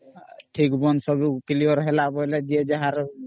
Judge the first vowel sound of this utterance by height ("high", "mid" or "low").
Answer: high